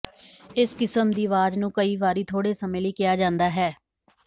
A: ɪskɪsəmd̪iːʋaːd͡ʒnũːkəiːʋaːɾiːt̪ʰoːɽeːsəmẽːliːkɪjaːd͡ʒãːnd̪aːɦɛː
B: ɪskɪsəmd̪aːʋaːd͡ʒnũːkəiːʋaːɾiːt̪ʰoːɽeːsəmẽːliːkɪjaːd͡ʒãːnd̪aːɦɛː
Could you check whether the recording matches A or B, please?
A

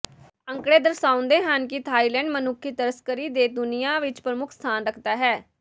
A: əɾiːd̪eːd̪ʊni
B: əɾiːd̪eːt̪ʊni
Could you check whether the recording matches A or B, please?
A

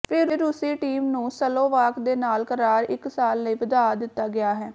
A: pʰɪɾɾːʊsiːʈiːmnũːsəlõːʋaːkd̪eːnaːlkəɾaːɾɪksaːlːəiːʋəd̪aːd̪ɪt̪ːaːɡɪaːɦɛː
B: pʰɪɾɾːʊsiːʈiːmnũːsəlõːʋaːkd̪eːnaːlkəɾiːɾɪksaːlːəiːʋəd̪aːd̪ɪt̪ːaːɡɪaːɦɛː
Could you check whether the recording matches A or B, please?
A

